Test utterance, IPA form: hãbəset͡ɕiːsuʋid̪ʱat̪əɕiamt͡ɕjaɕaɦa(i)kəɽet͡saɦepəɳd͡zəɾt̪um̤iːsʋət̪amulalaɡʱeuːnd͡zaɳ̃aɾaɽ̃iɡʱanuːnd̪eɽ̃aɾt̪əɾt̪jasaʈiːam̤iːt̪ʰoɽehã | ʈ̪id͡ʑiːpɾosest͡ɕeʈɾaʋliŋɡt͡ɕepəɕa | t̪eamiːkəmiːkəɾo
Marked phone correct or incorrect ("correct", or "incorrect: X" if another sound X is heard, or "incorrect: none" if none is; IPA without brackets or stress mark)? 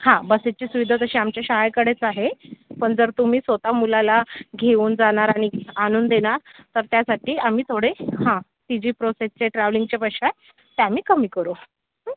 incorrect: j